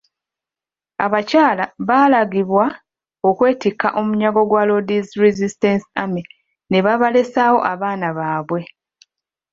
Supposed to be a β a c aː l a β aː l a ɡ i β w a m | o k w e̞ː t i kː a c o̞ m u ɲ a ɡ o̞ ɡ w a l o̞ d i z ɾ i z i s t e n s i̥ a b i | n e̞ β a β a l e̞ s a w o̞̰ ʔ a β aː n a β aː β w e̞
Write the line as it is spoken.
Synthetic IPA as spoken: a β a c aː l a β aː l a ɡ i β w a | o k w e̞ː t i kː a ʔ o̞ m u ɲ a ɡ o̞ ɡ w a l o̞ d i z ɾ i z i s t e n s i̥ a m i | n e̞ β a β a l e̞ s a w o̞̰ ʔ a β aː n a β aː β w e̞